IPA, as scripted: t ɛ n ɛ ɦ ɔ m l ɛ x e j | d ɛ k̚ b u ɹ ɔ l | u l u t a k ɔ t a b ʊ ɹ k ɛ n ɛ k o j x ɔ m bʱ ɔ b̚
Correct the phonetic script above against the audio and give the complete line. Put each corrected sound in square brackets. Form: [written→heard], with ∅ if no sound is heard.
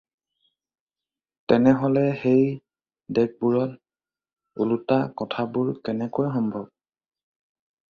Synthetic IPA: t ɛ n ɛ ɦ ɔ [m→∅] l ɛ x e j | d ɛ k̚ b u ɹ ɔ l | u l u t a k ɔ [t→tʰ] a b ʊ ɹ k ɛ n ɛ k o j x ɔ m bʱ ɔ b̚